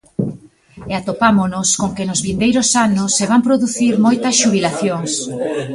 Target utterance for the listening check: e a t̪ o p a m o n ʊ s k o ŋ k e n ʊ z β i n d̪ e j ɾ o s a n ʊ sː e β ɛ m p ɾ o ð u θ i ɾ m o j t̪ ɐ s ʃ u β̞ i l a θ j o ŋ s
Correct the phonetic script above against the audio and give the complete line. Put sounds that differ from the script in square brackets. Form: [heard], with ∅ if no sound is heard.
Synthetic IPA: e a t̪ o p a m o n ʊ s k o ŋ k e n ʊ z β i n d̪ e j ɾ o s a n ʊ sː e β [a] m p ɾ o ð u θ i ɾ m o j t̪ ɐ s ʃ u β̞ i l a θ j o ŋ s